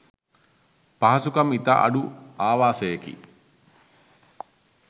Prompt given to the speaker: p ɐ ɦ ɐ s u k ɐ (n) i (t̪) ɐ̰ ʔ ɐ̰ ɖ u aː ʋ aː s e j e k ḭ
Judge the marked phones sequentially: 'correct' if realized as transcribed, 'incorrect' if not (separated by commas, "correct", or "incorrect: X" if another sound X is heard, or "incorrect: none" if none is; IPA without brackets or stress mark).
incorrect: m, correct